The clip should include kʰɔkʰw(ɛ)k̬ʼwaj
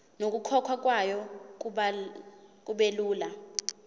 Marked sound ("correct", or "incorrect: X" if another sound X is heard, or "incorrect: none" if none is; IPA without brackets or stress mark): incorrect: a